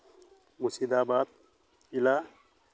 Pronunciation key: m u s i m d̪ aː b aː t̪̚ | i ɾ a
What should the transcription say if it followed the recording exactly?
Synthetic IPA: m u s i d̪ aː b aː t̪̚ | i l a

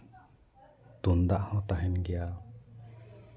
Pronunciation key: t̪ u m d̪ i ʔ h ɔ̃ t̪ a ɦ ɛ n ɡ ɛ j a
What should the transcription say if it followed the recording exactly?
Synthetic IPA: t̪ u n d̪ a ʔ h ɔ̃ t̪ a ɦ ɛ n ɡ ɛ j a

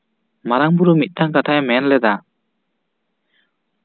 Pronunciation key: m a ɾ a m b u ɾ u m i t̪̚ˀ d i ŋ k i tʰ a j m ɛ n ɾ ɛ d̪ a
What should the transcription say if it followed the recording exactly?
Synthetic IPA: m a ɾ a ŋ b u ɾ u m i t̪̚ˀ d a ŋ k a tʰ a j m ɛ n l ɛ d̪ a

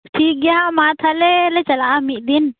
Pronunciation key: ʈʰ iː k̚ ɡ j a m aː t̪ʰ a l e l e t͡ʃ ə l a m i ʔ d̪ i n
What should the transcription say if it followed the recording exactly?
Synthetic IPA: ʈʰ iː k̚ ɡ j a m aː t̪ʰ a l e l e t͡ʃ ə l a m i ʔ d̪ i n

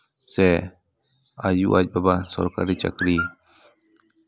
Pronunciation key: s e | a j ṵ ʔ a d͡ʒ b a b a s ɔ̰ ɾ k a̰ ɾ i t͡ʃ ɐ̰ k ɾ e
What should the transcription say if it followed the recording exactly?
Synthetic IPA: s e | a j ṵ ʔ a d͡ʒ b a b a s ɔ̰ ɾ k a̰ ɾ i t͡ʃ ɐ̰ k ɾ i

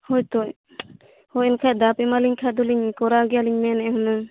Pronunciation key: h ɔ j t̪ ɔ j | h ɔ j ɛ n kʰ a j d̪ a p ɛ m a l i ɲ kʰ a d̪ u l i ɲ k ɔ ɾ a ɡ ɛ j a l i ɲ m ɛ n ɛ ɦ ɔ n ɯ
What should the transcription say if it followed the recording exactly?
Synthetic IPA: h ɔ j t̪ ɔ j | h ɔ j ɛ n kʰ a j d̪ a p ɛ m a l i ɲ kʰ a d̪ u l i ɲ k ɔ ɾ a ɡ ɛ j a l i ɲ m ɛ n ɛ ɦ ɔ n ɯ

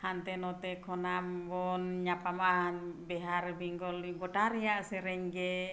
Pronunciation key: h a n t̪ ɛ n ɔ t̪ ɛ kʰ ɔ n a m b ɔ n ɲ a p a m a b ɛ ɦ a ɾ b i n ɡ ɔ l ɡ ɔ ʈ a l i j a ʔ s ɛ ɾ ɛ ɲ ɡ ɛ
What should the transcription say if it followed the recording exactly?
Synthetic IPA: h a n t̪ ɛ n ɔ t̪ ɛ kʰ ɔ n a m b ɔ n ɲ a p a m a b ɛ ɦ a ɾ b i ŋ ɡ ɔ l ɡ ɔ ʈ a ɾ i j a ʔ s ɛ ɾ ɛ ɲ ɡ ɛ

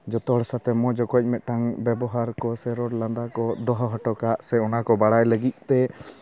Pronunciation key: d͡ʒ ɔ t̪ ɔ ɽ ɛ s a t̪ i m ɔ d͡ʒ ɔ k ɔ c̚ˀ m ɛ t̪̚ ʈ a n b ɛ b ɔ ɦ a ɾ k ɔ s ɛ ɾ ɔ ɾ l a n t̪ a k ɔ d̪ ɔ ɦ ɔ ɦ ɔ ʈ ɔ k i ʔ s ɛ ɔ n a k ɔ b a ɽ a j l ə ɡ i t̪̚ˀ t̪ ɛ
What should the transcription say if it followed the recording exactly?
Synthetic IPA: d͡ʒ ɔ t̪ ɔ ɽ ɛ s a t̪ ɛ m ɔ d͡ʒ ɔ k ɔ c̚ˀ m ɛ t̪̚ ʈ a ŋ b ɛ b ɔ ɦ a ɾ k ɔ s ɛ ɾ ɔ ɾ l a n d̪ a k ɔ d̪ ɔ ɦ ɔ ɦ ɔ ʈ ɔ k a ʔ s ɛ ɔ n a k ɔ b a ɽ a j l ə ɡ i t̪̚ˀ t̪ ɛ

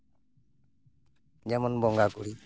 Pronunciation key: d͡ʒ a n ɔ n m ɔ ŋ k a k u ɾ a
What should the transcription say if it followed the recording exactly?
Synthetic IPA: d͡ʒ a m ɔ n b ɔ ŋ ɡ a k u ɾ i

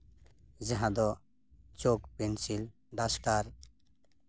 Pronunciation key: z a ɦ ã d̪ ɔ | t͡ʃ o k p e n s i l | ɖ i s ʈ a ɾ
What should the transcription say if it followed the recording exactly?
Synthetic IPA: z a ɦ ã d̪ ɔ | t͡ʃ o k p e n s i l | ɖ a s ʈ a ɾ

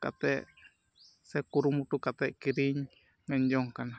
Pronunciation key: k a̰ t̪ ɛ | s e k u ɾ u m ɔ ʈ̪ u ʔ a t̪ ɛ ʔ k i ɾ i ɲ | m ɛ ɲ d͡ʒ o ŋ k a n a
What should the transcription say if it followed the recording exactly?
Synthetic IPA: k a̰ t̪ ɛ | s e k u ɾ u m u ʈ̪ u k a t̪ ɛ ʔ k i ɾ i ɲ | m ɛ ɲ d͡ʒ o ŋ k a n a

